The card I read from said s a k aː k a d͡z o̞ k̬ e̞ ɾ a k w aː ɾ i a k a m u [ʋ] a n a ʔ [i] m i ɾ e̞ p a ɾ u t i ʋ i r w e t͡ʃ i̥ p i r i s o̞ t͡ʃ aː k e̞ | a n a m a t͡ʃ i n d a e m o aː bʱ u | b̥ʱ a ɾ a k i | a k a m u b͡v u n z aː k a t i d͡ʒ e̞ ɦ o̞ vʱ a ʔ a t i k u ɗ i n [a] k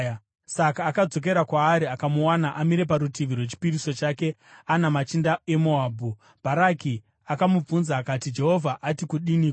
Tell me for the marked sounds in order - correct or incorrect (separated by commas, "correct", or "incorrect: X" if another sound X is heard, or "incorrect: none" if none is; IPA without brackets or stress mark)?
incorrect: w, incorrect: a, incorrect: i